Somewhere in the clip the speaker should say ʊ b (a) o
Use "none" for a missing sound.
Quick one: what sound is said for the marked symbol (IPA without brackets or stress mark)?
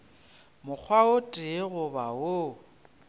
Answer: a